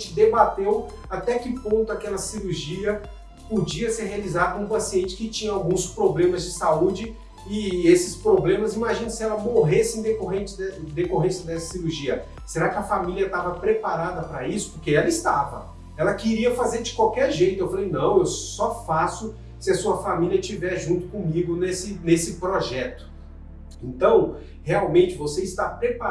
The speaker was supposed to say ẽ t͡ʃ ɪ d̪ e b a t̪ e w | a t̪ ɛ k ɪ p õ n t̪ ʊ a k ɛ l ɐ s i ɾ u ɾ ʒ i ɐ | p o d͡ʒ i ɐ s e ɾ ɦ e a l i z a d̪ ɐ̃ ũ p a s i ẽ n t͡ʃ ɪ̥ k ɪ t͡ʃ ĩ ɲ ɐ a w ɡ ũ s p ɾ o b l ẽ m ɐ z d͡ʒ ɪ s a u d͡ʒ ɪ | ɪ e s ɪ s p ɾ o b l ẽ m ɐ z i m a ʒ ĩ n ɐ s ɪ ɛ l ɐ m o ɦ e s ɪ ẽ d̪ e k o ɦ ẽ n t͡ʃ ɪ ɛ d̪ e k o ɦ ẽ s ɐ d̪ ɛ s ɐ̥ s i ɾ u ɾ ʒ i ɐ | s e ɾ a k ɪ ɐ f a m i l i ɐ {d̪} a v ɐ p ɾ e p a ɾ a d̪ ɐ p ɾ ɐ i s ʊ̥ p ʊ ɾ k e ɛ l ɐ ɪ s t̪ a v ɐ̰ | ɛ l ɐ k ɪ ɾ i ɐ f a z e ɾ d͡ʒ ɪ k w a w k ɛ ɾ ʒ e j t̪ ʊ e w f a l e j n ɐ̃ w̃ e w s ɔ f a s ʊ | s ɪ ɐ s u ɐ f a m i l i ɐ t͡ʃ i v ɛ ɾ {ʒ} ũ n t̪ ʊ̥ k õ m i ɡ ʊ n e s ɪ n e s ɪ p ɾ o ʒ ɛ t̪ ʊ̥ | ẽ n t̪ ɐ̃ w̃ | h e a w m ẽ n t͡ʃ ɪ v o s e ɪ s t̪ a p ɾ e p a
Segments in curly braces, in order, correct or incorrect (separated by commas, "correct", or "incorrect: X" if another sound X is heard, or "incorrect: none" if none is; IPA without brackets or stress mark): incorrect: t̪, correct